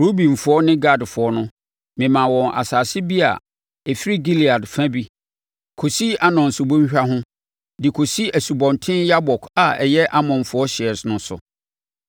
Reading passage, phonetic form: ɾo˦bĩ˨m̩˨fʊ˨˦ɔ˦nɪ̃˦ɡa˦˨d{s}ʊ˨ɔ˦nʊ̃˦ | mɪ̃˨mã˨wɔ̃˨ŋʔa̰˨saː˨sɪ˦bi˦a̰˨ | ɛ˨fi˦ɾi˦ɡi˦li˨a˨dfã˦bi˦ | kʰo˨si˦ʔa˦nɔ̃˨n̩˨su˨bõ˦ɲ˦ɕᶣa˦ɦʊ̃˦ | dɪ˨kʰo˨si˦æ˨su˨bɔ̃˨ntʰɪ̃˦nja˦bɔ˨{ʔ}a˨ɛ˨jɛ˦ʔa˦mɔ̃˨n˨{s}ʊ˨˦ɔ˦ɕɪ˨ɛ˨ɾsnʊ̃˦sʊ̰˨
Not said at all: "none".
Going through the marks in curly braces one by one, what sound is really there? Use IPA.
f, k, f

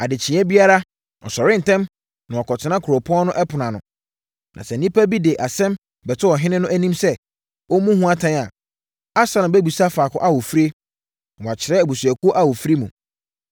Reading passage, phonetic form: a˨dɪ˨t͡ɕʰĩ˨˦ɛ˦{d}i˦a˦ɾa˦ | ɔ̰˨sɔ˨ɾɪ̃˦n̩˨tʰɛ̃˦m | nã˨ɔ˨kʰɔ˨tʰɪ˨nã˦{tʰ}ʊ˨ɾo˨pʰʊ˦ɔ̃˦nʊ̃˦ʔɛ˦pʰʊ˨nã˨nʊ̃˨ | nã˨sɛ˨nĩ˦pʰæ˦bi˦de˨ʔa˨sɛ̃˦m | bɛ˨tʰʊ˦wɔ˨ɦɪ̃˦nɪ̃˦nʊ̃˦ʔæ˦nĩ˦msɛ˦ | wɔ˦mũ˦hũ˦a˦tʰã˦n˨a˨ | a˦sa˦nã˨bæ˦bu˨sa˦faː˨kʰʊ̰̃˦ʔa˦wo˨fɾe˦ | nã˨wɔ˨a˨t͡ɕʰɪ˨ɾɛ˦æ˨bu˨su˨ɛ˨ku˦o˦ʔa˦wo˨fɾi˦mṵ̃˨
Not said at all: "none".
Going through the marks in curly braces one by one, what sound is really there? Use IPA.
b, kʰ

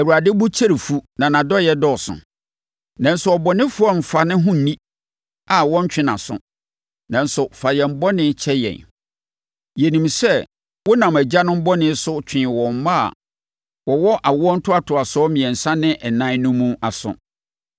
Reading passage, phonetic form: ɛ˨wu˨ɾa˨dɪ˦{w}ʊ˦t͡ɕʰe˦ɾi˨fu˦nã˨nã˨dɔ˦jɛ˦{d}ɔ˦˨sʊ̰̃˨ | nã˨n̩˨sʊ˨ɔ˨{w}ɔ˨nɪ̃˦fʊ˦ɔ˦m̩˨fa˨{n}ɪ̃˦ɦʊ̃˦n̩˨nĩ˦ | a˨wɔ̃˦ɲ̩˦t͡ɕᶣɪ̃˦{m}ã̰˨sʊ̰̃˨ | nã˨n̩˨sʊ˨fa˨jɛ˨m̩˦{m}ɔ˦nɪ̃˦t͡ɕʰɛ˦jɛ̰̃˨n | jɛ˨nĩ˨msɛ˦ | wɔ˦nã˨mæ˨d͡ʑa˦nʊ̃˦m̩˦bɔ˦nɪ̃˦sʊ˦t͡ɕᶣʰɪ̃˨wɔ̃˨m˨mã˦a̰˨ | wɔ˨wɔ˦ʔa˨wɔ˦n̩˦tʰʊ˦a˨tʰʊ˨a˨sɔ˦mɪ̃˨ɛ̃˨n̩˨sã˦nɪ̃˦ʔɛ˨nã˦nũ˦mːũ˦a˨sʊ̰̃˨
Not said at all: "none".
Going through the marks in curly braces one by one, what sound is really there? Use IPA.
b, d, b, n, n, b

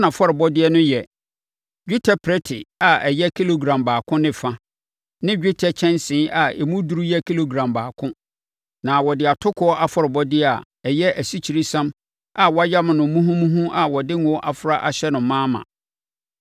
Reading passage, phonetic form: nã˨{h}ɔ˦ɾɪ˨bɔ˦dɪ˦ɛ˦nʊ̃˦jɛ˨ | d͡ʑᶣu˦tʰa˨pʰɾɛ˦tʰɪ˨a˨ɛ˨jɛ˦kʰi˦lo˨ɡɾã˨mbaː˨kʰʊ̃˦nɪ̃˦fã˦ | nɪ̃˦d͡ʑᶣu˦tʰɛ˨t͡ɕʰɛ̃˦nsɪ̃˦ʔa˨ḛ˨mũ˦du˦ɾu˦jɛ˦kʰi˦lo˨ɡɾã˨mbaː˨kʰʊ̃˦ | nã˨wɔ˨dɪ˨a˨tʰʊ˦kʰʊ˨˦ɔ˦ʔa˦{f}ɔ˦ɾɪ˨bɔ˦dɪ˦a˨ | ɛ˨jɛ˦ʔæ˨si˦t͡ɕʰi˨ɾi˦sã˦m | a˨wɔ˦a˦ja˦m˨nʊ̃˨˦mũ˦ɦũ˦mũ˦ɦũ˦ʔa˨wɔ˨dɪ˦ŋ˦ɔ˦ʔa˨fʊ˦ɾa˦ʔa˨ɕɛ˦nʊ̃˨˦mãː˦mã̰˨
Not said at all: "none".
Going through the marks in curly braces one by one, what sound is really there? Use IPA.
f, f

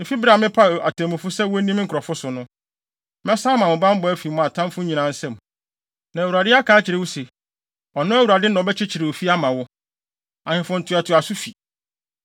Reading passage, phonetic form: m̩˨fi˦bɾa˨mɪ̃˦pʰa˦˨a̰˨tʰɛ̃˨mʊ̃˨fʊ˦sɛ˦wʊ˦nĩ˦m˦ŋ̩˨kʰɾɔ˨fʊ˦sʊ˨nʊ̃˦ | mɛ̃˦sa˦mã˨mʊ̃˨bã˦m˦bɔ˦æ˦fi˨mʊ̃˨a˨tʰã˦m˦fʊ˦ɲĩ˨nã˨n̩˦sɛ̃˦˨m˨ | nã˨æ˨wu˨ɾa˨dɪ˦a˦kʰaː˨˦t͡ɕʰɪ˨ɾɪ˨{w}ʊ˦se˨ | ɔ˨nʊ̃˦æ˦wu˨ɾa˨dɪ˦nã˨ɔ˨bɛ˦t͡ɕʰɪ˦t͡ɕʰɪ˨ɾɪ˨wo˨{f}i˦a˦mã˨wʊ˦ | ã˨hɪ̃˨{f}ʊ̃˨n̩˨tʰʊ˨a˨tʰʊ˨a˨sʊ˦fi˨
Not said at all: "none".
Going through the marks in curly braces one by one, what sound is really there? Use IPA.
w, f, f

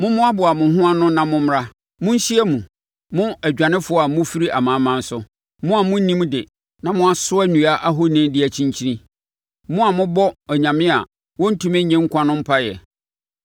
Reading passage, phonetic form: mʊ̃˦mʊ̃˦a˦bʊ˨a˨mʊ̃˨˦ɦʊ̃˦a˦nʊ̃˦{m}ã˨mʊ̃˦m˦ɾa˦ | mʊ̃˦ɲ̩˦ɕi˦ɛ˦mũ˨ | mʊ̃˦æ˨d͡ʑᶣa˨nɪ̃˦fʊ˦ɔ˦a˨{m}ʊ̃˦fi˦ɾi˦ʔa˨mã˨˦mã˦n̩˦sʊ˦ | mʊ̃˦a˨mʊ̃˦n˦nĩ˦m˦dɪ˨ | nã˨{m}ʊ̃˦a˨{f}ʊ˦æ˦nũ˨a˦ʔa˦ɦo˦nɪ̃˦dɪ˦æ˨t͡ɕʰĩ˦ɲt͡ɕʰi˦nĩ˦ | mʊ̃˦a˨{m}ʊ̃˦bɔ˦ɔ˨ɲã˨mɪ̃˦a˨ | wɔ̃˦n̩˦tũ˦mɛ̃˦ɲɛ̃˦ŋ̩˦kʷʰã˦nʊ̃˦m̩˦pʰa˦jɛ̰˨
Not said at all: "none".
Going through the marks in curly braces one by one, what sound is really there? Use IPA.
n, m, m, s, m

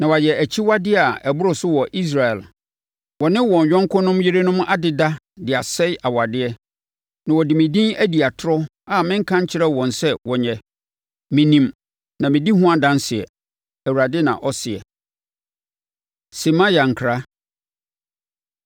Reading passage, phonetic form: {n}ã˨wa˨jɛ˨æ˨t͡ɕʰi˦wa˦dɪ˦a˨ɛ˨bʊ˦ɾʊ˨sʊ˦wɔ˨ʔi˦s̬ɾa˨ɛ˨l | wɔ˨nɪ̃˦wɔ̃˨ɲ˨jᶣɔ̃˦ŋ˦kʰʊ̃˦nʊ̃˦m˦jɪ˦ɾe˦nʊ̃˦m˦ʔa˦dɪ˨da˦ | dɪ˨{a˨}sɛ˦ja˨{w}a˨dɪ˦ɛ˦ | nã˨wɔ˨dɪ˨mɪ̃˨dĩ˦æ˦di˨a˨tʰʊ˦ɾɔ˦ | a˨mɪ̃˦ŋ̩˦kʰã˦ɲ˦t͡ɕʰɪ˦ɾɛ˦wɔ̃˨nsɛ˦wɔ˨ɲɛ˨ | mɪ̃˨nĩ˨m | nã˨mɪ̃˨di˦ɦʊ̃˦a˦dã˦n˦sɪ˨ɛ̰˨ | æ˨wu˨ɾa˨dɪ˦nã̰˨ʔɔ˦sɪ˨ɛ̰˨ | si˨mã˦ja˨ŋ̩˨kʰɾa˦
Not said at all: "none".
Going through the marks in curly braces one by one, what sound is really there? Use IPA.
n, a˨, w

